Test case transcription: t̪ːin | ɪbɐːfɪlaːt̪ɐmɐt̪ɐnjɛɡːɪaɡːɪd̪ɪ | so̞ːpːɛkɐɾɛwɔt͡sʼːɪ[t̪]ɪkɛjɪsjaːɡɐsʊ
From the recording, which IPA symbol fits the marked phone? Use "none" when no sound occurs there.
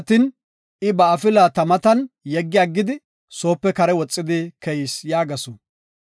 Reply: d̪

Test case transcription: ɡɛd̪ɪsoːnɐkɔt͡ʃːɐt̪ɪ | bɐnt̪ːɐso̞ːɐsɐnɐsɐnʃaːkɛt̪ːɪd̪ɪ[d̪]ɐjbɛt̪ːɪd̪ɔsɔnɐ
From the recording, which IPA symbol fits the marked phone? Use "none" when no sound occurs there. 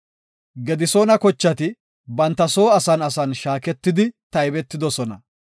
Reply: t̪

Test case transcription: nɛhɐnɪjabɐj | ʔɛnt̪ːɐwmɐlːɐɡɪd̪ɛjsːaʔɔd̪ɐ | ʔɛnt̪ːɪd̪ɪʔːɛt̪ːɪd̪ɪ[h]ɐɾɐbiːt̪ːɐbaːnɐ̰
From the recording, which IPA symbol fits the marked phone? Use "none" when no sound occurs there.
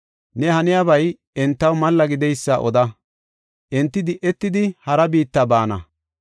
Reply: h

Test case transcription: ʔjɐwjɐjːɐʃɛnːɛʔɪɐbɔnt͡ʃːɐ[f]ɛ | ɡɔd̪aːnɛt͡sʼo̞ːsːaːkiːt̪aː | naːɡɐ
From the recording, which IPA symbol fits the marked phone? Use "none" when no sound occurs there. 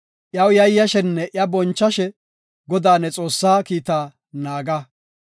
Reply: ʃ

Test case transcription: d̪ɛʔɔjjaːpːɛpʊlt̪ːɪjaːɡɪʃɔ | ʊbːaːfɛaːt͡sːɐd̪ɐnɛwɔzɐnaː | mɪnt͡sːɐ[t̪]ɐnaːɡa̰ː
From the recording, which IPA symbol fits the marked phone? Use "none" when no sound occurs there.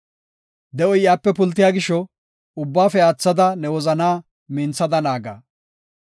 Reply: d̪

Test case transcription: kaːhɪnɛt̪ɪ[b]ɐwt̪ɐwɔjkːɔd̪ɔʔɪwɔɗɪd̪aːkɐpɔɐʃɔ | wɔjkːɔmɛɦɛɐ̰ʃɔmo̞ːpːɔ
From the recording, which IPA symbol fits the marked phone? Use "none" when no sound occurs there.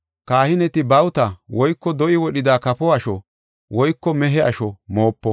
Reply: b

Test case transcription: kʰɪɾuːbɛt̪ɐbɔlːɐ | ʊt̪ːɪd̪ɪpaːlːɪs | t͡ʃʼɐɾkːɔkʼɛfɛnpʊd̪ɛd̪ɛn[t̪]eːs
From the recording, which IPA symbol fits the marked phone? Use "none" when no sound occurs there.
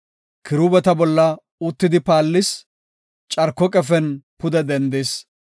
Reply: d̪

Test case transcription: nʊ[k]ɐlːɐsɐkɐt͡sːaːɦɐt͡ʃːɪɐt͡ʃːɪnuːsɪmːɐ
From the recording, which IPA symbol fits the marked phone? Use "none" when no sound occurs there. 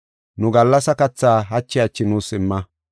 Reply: ɡ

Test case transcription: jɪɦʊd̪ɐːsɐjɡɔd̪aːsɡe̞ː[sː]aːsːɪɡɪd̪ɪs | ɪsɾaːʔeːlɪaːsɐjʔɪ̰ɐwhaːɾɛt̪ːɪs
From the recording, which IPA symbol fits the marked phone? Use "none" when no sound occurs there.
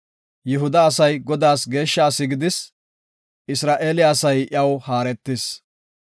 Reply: ʃː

